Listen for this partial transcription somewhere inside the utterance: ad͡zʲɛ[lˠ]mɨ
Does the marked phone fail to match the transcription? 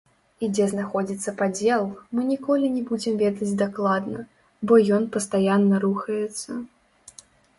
no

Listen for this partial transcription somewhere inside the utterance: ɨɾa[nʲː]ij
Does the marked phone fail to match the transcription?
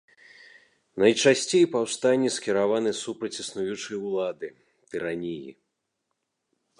yes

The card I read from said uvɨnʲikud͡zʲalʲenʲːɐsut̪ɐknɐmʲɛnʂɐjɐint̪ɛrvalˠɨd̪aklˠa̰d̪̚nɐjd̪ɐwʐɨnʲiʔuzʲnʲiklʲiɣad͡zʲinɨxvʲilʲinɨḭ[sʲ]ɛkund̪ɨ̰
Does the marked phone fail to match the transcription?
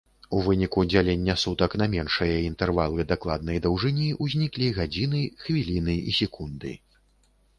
no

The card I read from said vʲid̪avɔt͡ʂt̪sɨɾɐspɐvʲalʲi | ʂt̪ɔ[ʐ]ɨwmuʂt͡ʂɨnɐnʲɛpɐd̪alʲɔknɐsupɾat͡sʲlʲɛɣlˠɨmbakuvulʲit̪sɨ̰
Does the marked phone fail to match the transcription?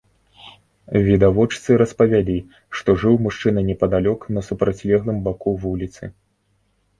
no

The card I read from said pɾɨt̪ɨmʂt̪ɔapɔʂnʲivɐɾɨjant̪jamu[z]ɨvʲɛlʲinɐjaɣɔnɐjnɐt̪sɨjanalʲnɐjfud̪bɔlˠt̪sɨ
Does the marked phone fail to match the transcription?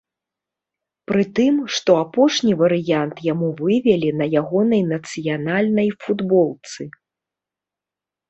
yes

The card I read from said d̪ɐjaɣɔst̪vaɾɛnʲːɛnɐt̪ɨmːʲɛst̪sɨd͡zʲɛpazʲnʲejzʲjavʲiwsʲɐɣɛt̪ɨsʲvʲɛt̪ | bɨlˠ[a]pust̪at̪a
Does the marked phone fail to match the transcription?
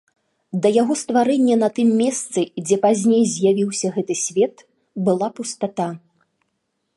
no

